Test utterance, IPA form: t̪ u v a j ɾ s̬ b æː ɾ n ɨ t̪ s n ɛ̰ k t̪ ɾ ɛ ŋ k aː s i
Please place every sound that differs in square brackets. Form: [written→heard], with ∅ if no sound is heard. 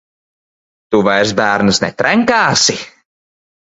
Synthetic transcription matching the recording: t̪ u v a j ɾ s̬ b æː ɾ n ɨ [t̪→∅] s n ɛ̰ [k→∅] t̪ ɾ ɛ ŋ k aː s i